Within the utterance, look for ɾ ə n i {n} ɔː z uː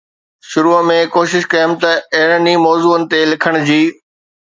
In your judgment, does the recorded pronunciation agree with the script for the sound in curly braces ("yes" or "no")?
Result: no